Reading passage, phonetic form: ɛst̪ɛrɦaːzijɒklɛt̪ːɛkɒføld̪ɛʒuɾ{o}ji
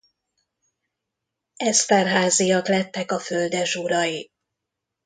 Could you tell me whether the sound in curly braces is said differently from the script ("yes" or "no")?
yes